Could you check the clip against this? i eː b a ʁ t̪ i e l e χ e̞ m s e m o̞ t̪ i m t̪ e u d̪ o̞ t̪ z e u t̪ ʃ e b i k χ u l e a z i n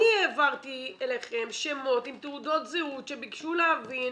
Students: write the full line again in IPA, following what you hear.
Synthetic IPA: i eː v a ʁ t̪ i e l e χ e̞ m ʃ e m o̞ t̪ i m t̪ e u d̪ o̞ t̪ z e u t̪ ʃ e b i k ʃ u l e a v i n